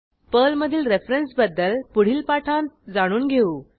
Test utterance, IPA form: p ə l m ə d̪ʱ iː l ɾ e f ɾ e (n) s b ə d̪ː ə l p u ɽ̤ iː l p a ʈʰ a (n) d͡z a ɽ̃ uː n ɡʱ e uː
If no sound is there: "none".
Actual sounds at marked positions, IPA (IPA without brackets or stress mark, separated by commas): n, n